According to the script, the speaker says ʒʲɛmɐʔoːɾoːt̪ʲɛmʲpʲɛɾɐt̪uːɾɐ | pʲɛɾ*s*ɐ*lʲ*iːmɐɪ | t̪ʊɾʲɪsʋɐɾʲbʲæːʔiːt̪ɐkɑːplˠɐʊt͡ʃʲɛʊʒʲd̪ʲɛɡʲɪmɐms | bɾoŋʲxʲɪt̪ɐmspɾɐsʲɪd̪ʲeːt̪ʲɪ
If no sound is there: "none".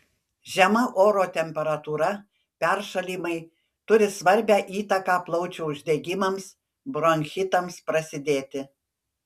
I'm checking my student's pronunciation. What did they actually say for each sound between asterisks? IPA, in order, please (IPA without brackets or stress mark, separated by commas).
ʃ, lʲ